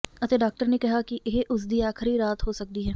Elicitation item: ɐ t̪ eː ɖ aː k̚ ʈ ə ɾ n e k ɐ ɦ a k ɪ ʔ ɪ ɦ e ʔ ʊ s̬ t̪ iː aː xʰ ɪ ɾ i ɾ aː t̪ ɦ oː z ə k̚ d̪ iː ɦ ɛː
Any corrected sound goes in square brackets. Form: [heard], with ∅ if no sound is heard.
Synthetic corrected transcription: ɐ t̪ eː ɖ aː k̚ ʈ ə ɾ n e k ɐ ɦ a k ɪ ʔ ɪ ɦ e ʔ ʊ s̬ [d̪] iː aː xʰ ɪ ɾ i ɾ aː t̪ ɦ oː [s] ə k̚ d̪ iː ɦ ɛː